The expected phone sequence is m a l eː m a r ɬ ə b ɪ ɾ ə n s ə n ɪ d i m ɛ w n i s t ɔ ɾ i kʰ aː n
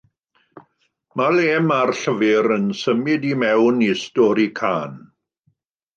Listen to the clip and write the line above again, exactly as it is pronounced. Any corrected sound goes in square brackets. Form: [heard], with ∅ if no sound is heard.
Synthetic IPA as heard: m a l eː m a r ɬ ə [v] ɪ ɾ ə n s ə [m] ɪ d i m ɛ w n i s t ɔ ɾ i kʰ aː n

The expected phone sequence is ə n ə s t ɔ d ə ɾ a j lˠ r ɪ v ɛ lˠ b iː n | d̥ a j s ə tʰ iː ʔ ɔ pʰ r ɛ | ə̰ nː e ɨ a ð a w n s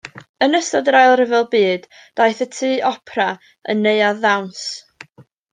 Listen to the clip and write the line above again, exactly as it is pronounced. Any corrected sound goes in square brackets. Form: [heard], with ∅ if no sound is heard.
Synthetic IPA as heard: ə n ə s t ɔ d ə ɾ a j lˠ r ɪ v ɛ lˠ b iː [d] | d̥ a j [θ] ə tʰ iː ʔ ɔ pʰ r [a] | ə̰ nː e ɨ a ð a w n s

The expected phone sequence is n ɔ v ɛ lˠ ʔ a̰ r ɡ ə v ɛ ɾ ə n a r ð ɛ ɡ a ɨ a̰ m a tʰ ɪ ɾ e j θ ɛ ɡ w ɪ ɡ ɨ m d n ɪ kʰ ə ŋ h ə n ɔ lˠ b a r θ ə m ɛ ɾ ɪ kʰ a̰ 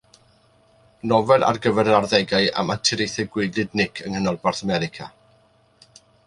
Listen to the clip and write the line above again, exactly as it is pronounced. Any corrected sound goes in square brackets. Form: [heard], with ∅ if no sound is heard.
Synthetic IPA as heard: n ɔ v ɛ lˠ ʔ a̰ r ɡ ə v ɛ ɾ ə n a r ð ɛ ɡ a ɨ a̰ m a tʰ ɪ ɾ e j θ ɛ ɡ w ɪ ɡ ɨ [∅] d n ɪ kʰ ə ŋ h ə n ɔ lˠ b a r θ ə m ɛ ɾ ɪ kʰ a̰

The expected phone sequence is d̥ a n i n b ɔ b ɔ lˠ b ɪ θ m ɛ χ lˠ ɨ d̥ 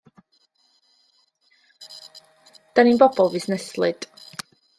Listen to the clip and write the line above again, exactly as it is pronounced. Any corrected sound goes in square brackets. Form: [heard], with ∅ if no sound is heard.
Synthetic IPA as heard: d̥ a n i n b ɔ b ɔ lˠ [v] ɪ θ [n] ɛ [s] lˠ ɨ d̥

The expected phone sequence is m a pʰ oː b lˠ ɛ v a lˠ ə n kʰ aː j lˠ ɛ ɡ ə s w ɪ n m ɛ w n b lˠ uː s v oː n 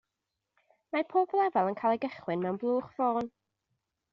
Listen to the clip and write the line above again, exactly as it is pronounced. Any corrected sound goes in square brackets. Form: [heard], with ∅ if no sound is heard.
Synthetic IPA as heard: m a pʰ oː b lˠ ɛ v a lˠ ə n kʰ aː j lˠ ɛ ɡ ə [χ] w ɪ n m ɛ w n b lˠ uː [χ] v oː n

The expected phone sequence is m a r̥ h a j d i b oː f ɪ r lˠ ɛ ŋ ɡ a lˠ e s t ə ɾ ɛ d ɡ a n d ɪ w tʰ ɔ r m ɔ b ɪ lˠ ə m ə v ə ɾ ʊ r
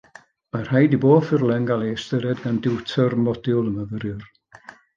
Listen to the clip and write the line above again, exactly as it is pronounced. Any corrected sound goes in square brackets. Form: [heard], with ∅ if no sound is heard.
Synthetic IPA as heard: m a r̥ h a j d i b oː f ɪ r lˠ ɛ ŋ ɡ a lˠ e s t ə ɾ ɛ d ɡ a n d ɪ w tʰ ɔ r m ɔ [d] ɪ lˠ ə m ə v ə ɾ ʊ r

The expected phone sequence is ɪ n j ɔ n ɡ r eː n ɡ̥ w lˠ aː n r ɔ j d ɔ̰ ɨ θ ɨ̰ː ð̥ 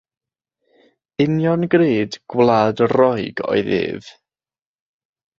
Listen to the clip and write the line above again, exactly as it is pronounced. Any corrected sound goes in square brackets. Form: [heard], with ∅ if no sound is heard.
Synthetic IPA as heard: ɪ n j ɔ n ɡ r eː [d] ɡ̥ w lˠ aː [d] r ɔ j [ɡ] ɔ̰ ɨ [ð] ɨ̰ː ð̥

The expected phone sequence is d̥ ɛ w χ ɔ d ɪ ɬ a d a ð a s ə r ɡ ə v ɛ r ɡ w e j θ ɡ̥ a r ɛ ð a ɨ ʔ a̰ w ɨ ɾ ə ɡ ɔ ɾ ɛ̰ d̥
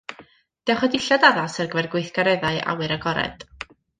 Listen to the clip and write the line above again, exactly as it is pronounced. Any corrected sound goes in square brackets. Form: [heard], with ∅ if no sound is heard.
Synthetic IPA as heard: d̥ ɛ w χ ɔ d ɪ ɬ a d a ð a s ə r ɡ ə v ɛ r ɡ w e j θ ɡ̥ a [ɾ] ɛ ð a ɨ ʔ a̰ w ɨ ɾ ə ɡ ɔ ɾ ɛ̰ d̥

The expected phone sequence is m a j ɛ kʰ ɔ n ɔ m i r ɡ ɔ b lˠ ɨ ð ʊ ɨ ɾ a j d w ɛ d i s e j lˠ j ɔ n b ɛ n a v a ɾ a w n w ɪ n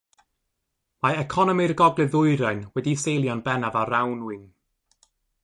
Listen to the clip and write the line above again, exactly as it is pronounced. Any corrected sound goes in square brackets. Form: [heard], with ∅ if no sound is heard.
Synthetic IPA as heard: m a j ɛ kʰ ɔ n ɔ m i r ɡ ɔ [ɡ] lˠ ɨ ð ʊ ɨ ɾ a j [n] w ɛ d i s e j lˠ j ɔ n b ɛ n a v a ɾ a w n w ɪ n

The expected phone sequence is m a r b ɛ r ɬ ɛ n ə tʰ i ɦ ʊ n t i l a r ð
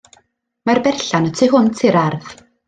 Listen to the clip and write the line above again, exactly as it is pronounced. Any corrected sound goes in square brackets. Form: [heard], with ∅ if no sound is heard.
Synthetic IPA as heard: m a r b ɛ r ɬ [a] n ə tʰ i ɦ ʊ n [tʰ] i [ɾ] a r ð

